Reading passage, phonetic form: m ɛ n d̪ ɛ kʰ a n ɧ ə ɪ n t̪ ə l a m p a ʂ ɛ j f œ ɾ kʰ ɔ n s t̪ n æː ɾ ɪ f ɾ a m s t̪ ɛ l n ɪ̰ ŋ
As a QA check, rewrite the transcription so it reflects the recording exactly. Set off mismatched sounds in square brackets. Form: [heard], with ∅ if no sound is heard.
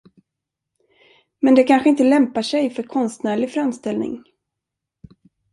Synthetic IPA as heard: m ɛ n d̪ ɛ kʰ a n ɧ ə ɪ n t̪ ə l [ɛ] m p a ʂ ɛ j f œ ɾ kʰ ɔ n s t̪ n æː [ɭ] ɪ f ɾ a m s t̪ ɛ l n ɪ̰ ŋ